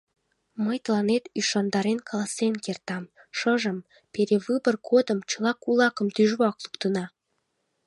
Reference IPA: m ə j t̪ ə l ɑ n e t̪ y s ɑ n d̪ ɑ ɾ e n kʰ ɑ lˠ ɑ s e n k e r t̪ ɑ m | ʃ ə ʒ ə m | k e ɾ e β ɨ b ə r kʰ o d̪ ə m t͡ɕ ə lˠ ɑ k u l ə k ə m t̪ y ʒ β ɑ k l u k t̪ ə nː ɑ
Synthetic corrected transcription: m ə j t̪ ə l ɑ n e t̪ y ʃ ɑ n d̪ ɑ ɾ e n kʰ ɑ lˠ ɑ s e n k e r t̪ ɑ m | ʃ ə ʒ ə m | p e ɾ e β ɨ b ə r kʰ o d̪ ə m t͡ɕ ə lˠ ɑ k u l ɑ k ə m t̪ y ʒ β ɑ k l u k t̪ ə n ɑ